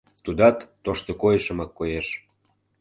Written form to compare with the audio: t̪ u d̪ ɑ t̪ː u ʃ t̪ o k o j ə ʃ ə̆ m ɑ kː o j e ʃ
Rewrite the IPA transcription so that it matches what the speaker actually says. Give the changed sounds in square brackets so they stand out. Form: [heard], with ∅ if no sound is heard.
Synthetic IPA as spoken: t̪ u d̪ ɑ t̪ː [o] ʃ t̪ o k o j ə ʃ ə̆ m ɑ kː o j e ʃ